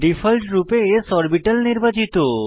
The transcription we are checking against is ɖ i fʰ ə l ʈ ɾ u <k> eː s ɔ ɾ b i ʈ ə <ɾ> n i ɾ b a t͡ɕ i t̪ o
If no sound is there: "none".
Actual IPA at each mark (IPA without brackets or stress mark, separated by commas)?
p, l